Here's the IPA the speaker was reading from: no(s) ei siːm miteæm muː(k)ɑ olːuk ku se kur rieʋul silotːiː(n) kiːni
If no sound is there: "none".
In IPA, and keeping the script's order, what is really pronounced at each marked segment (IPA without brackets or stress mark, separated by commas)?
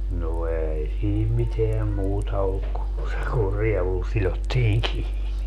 none, t, ŋ